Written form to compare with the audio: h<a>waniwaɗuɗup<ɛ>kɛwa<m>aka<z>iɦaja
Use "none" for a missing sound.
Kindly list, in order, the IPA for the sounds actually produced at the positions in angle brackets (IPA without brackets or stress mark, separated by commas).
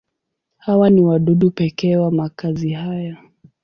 a, ɛ, m, z